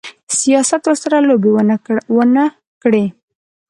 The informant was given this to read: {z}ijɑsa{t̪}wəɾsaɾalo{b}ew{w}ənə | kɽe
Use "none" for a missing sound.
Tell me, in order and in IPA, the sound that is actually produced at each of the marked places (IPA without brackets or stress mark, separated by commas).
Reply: s, t̪, b, w